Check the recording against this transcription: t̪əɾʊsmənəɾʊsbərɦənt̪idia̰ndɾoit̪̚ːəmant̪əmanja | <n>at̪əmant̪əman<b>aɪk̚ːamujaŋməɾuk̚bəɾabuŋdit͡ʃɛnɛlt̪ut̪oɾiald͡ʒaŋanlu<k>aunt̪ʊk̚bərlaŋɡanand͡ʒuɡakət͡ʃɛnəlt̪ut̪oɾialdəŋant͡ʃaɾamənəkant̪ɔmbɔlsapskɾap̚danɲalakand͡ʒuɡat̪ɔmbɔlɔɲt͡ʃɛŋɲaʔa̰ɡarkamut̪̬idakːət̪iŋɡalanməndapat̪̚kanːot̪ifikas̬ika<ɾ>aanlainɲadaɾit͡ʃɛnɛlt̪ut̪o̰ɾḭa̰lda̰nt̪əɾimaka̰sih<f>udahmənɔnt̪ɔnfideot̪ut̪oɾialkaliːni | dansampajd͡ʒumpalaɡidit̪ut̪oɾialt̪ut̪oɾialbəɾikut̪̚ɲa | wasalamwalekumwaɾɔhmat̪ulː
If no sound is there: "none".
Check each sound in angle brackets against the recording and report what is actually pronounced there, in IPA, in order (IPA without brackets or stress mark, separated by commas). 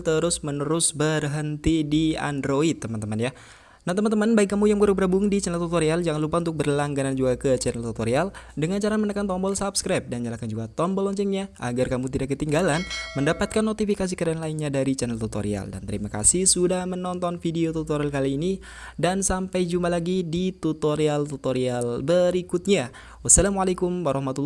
n, b, p, ɾ, s